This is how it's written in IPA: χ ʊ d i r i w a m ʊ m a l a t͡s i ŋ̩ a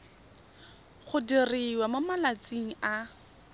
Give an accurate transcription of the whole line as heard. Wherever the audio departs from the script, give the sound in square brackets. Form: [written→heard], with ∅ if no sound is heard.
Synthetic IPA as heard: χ ʊ d i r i w a m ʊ m a l a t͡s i ŋ̩ a